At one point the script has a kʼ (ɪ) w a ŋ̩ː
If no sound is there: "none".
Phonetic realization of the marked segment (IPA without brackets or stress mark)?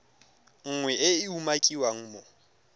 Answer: i